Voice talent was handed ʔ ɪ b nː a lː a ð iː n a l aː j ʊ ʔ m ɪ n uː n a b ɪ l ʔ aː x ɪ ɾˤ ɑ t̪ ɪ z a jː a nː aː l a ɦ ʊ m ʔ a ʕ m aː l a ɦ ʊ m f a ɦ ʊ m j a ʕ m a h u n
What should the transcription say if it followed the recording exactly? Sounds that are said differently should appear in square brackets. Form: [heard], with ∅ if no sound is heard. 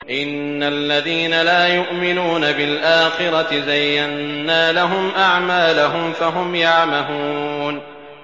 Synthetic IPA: ʔ ɪ [∅] nː a lː a ð iː n a l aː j ʊ ʔ m ɪ n uː n a b ɪ l ʔ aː x ɪ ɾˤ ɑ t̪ ɪ z a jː a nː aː l a ɦ ʊ m ʔ a ʕ m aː l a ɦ ʊ m f a ɦ ʊ m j a ʕ m a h u n